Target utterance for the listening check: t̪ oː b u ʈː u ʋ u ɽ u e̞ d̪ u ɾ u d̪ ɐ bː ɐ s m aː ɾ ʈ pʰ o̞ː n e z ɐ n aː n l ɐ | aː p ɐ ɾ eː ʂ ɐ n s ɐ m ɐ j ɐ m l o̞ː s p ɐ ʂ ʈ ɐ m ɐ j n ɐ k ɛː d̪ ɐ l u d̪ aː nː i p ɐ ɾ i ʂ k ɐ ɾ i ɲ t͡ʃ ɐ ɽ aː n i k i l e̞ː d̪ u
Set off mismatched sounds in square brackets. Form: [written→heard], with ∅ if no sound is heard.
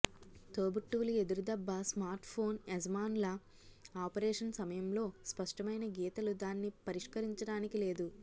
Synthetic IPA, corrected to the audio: t̪ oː b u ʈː u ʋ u [ɽ→l] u e̞ d̪ u ɾ u d̪ ɐ bː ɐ s m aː ɾ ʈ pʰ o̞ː n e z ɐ [n→m] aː n l ɐ | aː p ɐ ɾ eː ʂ ɐ n s ɐ m ɐ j ɐ m l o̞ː s p ɐ ʂ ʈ ɐ m ɐ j n ɐ [k→ɡ] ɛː [d̪→t̪] ɐ l u d̪ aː nː i p ɐ ɾ i ʂ k ɐ ɾ i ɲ t͡ʃ ɐ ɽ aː n i k i l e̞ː d̪ u